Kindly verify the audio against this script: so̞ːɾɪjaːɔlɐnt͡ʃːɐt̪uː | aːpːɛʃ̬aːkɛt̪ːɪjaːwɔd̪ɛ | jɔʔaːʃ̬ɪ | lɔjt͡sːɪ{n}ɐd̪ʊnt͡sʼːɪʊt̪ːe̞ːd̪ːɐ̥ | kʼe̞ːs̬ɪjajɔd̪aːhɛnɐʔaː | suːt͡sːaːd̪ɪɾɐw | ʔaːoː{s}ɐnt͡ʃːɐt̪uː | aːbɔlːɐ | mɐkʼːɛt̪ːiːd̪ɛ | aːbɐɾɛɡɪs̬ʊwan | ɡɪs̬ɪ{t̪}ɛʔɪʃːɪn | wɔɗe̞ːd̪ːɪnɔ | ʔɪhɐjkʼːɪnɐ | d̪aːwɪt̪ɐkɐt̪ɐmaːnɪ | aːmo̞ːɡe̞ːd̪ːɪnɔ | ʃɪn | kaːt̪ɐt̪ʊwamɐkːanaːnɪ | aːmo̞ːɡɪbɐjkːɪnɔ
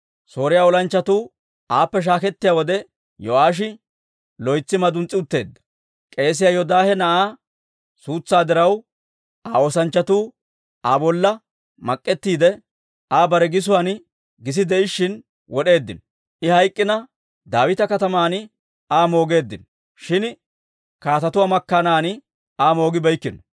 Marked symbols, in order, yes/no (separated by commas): no, yes, no